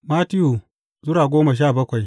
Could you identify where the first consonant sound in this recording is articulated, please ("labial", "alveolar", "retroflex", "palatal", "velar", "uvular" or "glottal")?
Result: labial